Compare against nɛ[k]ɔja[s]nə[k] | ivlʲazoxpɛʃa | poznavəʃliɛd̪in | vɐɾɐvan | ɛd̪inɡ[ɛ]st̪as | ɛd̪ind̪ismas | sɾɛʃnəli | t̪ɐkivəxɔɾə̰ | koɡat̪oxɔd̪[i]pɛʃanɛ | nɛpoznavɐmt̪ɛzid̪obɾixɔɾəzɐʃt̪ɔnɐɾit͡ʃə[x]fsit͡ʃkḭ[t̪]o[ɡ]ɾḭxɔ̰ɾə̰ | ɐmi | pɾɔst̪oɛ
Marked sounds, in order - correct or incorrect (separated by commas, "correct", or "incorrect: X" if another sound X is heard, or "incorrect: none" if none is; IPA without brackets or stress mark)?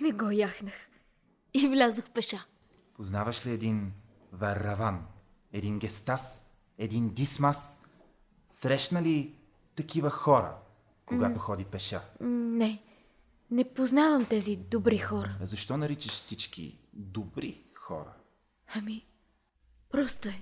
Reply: incorrect: ɡ, incorrect: x, incorrect: x, correct, correct, incorrect: ʃ, incorrect: d̪, incorrect: b